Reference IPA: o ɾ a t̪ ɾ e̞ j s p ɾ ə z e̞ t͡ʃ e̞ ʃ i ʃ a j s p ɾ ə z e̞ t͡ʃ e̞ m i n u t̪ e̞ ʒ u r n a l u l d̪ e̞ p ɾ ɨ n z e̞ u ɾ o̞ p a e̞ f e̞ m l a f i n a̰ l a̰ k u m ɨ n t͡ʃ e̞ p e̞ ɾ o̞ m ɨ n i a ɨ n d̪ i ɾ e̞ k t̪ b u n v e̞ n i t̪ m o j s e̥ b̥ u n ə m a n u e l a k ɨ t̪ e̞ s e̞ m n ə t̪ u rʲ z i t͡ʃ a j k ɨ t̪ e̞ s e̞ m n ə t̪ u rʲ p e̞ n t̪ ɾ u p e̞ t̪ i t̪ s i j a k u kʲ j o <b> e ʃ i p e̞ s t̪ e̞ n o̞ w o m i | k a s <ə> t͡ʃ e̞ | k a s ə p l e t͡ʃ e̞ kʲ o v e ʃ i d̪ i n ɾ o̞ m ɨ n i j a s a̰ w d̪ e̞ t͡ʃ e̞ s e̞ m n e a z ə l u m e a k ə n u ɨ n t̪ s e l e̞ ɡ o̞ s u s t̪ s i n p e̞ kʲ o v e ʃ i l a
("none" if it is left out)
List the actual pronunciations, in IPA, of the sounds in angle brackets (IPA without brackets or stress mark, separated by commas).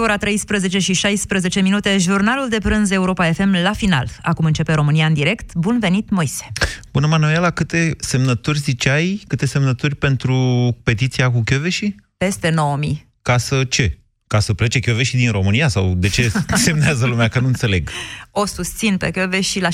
v, ə